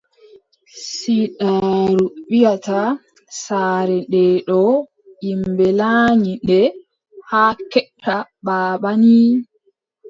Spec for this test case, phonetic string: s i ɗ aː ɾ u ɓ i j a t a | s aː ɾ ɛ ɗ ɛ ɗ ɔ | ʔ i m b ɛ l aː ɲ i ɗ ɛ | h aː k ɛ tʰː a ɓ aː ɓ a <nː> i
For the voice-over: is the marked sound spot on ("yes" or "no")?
no